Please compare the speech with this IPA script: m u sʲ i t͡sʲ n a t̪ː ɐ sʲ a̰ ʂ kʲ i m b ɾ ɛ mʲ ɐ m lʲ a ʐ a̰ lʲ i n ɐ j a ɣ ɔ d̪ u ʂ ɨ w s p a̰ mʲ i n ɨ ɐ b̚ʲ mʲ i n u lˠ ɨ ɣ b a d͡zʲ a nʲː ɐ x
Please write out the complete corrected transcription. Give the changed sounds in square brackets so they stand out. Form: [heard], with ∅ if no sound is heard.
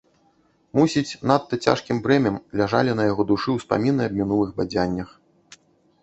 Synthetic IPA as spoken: m u sʲ i t͡sʲ n a t̪ː ɐ [t͡sʲ] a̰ ʂ kʲ i m b ɾ ɛ mʲ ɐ m lʲ a ʐ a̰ lʲ i n ɐ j a ɣ ɔ d̪ u ʂ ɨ w s p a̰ mʲ i n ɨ ɐ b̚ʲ mʲ i n u lˠ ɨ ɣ b a d͡zʲ a nʲː ɐ x